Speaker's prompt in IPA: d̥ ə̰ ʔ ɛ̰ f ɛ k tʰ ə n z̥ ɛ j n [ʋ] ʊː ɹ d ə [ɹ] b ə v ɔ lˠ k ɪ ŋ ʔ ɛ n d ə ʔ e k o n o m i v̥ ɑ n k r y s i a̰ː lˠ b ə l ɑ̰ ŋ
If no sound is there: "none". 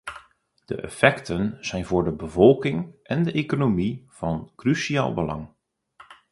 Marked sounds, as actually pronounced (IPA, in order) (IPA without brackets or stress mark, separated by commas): v, none